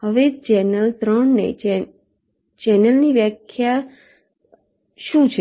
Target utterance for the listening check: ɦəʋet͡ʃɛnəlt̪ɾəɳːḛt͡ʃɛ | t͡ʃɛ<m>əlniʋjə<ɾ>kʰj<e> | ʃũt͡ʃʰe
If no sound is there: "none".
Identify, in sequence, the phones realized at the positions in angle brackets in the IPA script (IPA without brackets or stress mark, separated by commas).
n, none, a